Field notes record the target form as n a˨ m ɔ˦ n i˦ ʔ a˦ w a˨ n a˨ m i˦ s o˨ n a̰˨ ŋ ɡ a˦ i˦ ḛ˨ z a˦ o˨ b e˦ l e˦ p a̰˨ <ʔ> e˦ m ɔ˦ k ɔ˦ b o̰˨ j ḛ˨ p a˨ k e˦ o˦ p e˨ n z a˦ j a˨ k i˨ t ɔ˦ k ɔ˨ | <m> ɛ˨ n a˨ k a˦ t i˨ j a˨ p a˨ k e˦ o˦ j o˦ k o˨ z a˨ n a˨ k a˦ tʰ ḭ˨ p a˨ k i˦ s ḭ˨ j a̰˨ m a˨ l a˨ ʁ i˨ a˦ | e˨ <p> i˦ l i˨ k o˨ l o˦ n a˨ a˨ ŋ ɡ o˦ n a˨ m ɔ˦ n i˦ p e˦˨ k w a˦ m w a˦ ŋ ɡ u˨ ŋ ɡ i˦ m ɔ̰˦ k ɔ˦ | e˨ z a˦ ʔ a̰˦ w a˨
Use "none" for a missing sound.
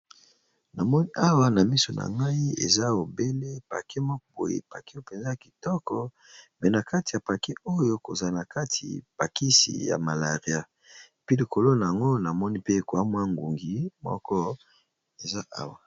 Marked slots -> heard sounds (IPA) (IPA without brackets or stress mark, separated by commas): k, m, p